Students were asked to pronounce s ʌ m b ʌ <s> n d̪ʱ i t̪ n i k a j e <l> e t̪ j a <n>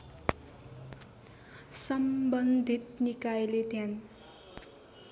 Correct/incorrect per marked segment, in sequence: incorrect, correct, correct

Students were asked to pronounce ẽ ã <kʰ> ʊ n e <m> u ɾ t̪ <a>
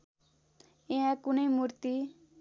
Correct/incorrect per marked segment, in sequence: incorrect, correct, incorrect

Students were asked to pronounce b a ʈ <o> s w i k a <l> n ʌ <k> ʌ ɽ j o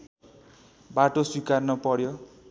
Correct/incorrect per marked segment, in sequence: correct, incorrect, incorrect

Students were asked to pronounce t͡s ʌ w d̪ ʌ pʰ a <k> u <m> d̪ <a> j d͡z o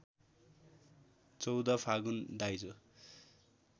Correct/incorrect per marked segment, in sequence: incorrect, incorrect, correct

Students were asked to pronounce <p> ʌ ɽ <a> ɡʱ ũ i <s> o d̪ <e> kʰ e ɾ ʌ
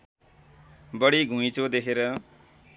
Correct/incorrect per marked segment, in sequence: incorrect, incorrect, incorrect, correct

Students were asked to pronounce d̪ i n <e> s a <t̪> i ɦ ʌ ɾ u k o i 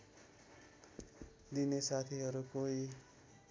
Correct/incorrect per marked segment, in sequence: correct, incorrect

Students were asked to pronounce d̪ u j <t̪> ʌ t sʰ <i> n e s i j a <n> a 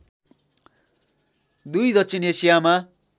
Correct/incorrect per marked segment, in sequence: incorrect, correct, incorrect

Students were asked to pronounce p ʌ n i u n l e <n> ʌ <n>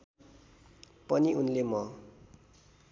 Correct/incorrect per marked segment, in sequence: incorrect, incorrect

